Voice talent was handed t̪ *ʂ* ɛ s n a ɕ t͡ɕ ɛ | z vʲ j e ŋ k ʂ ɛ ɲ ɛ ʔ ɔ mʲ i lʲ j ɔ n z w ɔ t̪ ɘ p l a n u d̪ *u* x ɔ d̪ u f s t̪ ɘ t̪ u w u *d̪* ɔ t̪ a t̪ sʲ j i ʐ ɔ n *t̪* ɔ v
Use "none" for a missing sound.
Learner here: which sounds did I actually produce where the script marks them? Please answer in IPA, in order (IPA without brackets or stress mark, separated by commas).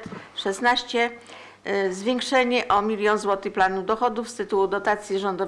ʂ, ɔ, d̪, d̪